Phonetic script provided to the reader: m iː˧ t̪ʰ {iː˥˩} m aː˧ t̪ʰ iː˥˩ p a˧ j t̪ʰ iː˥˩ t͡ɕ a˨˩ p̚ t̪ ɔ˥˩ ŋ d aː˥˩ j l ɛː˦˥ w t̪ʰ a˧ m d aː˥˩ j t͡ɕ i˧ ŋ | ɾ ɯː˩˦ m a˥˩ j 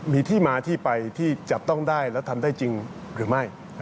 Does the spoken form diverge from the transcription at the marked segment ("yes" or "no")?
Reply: no